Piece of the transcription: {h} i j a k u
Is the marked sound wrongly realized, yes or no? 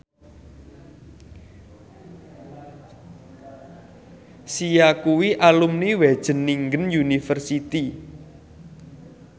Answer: yes